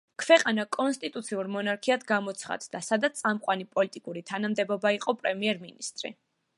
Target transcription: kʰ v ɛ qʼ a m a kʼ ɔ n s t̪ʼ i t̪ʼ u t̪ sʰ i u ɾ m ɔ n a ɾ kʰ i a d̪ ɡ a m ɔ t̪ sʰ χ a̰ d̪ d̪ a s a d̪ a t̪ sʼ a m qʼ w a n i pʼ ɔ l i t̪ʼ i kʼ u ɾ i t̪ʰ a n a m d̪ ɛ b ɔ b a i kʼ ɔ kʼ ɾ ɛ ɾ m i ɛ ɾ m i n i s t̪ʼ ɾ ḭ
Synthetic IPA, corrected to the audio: kʰ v ɛ qʼ a n a kʼ ɔ n s t̪ʼ i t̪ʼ u t̪ sʰ i u ɾ m ɔ n a ɾ kʰ i a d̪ ɡ a m ɔ t̪ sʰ χ a̰ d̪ d̪ a s a d̪ a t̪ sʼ a m qʼ w a n i pʼ ɔ l i t̪ʼ i kʼ u ɾ i t̪ʰ a n a m d̪ ɛ b ɔ b a i qʼ ɔ pʼ ɾ ɛ m i ɛ ɾ m i n i s t̪ʼ ɾ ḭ